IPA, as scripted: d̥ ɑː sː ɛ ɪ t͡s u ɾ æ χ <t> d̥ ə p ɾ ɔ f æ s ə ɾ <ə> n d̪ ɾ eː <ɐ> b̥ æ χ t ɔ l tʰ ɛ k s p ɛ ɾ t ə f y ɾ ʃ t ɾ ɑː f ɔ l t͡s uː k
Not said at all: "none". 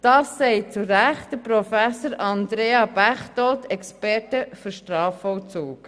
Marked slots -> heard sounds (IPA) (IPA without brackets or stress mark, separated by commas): t, ɑ, ɑ